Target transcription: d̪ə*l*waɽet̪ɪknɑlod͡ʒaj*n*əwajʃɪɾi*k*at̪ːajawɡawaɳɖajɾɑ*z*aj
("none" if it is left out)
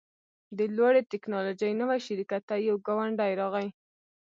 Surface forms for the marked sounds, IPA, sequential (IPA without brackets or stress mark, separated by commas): l, n, k, ɣ